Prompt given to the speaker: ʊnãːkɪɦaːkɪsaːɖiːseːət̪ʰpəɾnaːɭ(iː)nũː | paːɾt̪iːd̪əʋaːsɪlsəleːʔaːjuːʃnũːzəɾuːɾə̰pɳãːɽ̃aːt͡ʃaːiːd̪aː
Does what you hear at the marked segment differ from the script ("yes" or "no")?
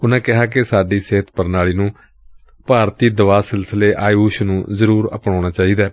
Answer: no